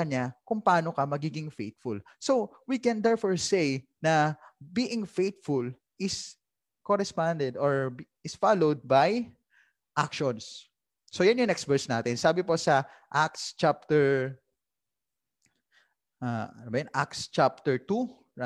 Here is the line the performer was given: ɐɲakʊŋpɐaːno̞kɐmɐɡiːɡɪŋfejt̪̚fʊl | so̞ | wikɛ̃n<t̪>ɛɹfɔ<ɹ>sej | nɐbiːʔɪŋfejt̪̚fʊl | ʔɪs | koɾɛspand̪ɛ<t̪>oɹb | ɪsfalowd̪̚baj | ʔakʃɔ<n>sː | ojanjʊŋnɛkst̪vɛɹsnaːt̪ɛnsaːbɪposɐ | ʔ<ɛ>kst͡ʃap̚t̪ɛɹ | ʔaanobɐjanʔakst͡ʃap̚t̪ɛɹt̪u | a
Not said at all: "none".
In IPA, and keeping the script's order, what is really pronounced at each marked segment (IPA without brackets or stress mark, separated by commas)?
d̪, ɹ, d̪, n, a